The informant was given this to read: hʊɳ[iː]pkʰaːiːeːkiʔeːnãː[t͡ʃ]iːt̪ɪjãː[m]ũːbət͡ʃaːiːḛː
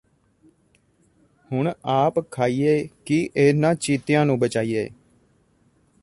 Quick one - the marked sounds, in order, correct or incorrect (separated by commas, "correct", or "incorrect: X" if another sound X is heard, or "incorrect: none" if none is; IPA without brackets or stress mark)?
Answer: incorrect: aː, correct, incorrect: n